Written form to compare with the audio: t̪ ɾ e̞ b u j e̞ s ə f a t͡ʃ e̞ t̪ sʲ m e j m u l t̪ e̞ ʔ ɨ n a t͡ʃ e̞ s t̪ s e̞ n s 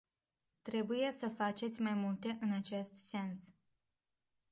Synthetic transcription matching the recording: t̪ ɾ e̞ b u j e̞ s ə f a t͡ʃ e̞ t̪ sʲ m a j m u l t̪ e̞ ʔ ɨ n a t͡ʃ e̞ s t̪ s e̞ n s